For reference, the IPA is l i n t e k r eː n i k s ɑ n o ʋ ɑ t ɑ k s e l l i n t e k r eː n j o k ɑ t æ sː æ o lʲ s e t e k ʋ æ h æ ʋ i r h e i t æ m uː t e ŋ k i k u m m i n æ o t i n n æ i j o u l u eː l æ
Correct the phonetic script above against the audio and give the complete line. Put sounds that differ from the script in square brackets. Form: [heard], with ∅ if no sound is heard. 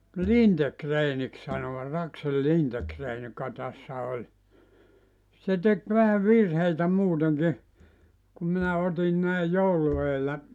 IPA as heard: l i n t e k r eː n i k s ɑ n o ʋ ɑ t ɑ k s e l l i n t e k r eː n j o k ɑ t æ sː æ o lʲ s e t e k ʋ æ h æ ʋ i r h e i t æ m uː t e ŋ k i k u m m i n æ o t i n n æ i j o u l u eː [lː] æ

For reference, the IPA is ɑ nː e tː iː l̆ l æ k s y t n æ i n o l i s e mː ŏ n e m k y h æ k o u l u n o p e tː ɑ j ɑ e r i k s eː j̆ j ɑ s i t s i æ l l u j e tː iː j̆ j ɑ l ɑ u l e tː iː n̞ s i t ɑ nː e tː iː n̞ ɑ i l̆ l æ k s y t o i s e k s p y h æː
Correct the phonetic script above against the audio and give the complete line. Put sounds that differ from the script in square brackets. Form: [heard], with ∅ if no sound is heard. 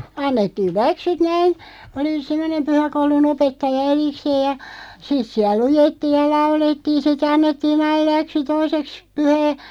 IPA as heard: ɑ nː e tː iː l̆ l æ k s y t n æ i n o l i s e mː ŏ n e m [p] y h æ k o u l u n o p e tː ɑ j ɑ e r i k s eː j̆ j ɑ s i t s i æ l l u j e tː iː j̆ j ɑ l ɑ u l e tː iː n̞ s i t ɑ nː e tː iː n̞ ɑ i l̆ l æ k s y t o i s e k s p y h æː

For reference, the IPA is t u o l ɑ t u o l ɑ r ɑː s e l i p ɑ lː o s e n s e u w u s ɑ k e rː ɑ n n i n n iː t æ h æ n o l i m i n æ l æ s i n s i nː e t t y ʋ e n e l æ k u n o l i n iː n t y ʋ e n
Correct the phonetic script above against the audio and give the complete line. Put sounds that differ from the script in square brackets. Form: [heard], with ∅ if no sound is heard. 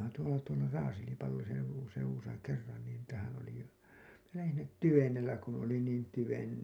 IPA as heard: t u o l ɑ t u o l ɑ r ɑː s e l i p ɑ lː o s e n s e u w u s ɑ k e rː ɑ n n i n n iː t æ h æ n o l i m i n æ l æ [h] i n s i nː e t t y ʋ e n e [lː] æ k u n o l i n iː n t y ʋ e n

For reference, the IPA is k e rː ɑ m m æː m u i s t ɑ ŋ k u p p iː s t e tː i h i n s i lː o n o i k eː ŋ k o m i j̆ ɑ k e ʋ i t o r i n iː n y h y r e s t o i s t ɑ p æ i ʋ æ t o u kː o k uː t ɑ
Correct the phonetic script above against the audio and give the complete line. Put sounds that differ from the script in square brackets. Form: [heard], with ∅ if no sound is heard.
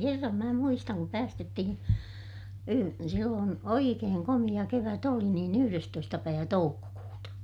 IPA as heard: k e rː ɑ m m æː m u i s t ɑ ŋ k u p p [æː] s t e tː i h i n s i lː [oː] n o i k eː ŋ k o m i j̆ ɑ k e ʋ [æ] t o [l] i n iː n y h y r e s t o i s t ɑ p æ i ʋ æ t o u kː o k uː t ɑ

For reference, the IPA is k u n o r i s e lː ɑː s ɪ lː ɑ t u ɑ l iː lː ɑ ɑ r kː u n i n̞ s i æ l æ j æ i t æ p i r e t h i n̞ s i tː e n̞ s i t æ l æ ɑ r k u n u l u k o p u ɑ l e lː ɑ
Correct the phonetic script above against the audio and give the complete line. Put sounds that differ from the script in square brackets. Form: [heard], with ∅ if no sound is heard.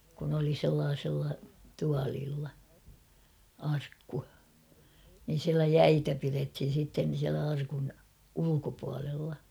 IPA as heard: k u n o [l] i s e lː ɑː s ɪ lː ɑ t u ɑ l iː lː ɑ ɑ r kː u n i n̞ s i æ l æ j æ i t æ p i r e t h i n̞ s i tː e n̞ s i [∅] æ l æ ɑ r k u n u l u k o p u ɑ l e lː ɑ

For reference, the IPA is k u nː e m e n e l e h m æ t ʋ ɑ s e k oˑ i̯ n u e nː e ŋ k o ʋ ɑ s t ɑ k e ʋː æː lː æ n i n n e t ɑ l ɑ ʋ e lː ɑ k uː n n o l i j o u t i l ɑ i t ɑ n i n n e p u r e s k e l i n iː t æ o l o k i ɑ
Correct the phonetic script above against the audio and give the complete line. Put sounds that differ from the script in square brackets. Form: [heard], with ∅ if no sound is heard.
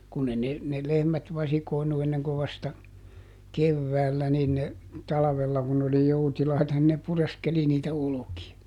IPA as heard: k u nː e [n] e n e l e h m æ t ʋ ɑ s [i] k oˑ i̯ n u e nː e ŋ k o ʋ ɑ s t ɑ k e ʋː æː lː æ n i n n e t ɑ l ɑ ʋ e lː ɑ k [u] n n o l i j o u t i l ɑ i t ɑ n i n n e p u r e s k e l i n iː t æ o l o k i ɑ

